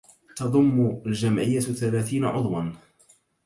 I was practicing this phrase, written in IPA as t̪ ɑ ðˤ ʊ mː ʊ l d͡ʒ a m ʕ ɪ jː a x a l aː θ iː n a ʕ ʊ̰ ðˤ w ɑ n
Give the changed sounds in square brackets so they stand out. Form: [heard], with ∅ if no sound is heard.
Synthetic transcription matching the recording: t̪ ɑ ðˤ ʊ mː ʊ l d͡ʒ a m ʕ ɪ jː a [θ] a l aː θ iː n a ʕ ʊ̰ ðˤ w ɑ n

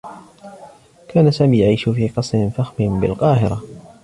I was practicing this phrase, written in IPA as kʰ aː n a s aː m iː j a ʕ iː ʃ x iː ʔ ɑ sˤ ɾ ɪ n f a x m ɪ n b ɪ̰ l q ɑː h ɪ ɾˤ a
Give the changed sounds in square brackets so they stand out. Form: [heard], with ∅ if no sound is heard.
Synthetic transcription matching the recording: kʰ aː n a s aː m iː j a ʕ iː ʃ [f] iː [q] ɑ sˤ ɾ ɪ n f a x m ɪ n b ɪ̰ l q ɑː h ɪ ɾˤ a

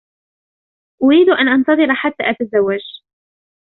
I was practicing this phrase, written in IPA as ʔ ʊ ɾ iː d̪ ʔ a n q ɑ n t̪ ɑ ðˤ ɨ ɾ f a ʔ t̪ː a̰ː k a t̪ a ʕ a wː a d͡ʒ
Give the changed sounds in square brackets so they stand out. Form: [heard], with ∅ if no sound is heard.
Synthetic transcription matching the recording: ʔ ʊ ɾ iː d̪ ʔ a n [ʔ] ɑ n t̪ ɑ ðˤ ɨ ɾ [ħ] a [∅] t̪ː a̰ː [ʔ] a t̪ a [z] a wː a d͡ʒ

